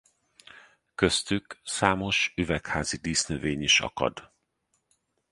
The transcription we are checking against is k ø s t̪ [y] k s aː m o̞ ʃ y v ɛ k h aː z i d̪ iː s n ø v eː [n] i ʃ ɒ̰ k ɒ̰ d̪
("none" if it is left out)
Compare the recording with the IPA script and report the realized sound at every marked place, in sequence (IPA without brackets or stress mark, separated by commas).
y, ɲ